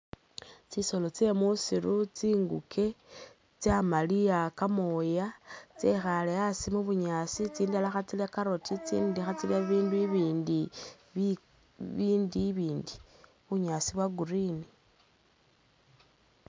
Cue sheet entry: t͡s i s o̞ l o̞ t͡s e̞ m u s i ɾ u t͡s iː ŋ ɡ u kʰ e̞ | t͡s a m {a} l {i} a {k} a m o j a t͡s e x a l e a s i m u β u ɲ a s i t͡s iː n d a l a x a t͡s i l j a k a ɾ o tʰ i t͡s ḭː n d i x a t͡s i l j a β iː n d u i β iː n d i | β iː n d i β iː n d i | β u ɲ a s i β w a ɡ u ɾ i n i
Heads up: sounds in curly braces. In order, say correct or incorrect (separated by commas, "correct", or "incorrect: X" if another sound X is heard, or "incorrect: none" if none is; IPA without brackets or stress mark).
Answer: correct, correct, correct